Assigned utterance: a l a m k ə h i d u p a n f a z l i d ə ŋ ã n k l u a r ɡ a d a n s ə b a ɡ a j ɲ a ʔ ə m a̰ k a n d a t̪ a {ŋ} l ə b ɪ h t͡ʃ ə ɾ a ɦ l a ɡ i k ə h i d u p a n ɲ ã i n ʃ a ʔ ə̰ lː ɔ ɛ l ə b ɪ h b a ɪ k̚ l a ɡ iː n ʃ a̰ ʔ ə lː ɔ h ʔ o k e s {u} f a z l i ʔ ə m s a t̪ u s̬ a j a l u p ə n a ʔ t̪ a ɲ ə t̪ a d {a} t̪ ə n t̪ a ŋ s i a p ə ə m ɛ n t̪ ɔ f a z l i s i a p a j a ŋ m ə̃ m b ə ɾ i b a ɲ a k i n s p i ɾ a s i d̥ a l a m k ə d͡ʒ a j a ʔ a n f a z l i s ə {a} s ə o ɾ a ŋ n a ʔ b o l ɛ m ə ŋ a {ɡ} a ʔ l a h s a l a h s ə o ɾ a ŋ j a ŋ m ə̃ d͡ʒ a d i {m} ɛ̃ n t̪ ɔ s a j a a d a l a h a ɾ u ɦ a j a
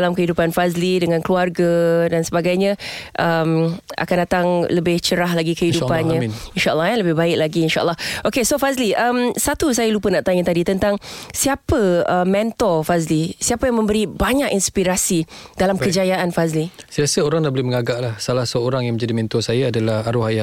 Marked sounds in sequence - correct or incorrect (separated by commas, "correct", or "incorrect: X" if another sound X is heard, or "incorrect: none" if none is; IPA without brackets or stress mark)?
correct, incorrect: o, incorrect: i, correct, correct, correct